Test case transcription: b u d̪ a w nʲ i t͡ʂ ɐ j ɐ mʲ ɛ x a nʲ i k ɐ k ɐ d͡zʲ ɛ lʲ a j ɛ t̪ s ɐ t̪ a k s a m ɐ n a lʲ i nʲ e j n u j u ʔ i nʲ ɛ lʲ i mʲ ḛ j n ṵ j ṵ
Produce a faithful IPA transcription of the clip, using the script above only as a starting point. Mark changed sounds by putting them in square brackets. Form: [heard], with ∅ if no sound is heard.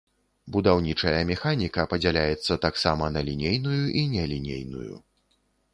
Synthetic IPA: b u d̪ a w nʲ i t͡ʂ ɐ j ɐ mʲ ɛ x a nʲ i k ɐ [p] ɐ d͡zʲ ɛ lʲ a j ɛ t̪ [sː] ɐ t̪ a k s a m ɐ n [ɐ] lʲ i nʲ e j n u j u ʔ i nʲ ɛ lʲ i [nʲ] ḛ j n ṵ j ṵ